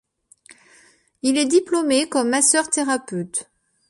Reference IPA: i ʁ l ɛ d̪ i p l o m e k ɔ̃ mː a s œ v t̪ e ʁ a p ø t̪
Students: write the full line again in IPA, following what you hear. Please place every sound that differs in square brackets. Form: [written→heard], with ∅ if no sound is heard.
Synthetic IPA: i [ʁ→∅] l ɛ d̪ i p l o m e k [ɔ̃→ɔ] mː a s œ [v→ʁ] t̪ e ʁ a p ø t̪

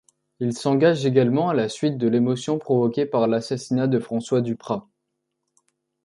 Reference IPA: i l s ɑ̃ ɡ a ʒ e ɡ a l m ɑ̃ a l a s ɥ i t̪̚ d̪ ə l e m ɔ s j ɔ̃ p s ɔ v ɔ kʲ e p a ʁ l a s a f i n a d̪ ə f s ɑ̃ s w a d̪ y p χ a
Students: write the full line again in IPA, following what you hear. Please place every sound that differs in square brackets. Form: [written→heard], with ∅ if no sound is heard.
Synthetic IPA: i l s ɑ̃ ɡ a ʒ e ɡ a l m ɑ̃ a l a s ɥ i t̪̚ d̪ ə l e m ɔ s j ɔ̃ p [s→χ] ɔ v ɔ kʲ e p a ʁ l a s a [f→s] i n a d̪ ə f [s→χ] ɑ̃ s w a d̪ y p χ a

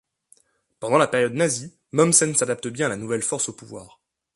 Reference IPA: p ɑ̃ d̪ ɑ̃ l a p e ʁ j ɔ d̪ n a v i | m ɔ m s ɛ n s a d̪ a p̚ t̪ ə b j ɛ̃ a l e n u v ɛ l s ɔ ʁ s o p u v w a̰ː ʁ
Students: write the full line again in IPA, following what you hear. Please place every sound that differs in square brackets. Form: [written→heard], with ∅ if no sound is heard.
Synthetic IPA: p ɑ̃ d̪ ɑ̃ l a p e ʁ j ɔ d̪ n a [v→z] i | m ɔ m s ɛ n s a d̪ a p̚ t̪ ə b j ɛ̃ a l [e→a] n u v ɛ l [s→f] ɔ ʁ s o p u v w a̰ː ʁ

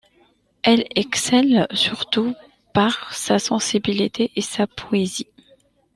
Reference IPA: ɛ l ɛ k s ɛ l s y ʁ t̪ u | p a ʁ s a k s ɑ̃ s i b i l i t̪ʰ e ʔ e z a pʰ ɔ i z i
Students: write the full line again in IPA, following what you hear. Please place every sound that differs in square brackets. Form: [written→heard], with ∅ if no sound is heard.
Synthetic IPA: ɛ l ɛ k s ɛ l s y ʁ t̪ u | p a ʁ s a [k→∅] s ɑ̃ s i b i l i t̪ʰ e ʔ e [z→s] a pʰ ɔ [i→e] z i

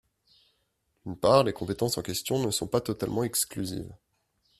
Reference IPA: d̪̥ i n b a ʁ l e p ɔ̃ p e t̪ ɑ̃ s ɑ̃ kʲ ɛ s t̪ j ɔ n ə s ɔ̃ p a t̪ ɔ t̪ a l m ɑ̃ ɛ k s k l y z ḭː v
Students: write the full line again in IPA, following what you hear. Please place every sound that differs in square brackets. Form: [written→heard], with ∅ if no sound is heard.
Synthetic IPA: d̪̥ [i→y] n [b→p] a ʁ l e [p→k] ɔ̃ p e t̪ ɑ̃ s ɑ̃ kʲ ɛ s t̪ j [ɔ→ɔ̃] n ə s ɔ̃ p a t̪ ɔ t̪ a l m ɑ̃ ɛ k s k l y z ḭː v

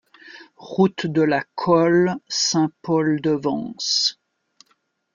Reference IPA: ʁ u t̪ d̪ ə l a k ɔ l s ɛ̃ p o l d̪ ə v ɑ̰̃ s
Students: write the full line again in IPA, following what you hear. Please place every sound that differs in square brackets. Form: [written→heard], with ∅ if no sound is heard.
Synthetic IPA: ʁ u t̪ d̪ ə l a [k→kʰ] ɔ l s ɛ̃ p [o→ɔ] l d̪ ə v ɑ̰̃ s

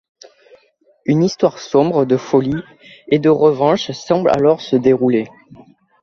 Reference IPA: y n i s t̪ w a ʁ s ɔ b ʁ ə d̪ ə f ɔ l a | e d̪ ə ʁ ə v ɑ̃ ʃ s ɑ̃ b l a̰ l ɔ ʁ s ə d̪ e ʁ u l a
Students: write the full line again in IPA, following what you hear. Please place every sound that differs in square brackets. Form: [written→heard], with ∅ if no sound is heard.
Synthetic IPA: y n i s t̪ w a ʁ s [ɔ→ɔ̃] b ʁ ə d̪ ə f ɔ l [a→i] | e d̪ ə ʁ ə v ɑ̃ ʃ s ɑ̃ b l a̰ l ɔ ʁ s ə d̪ e ʁ u l [a→e]

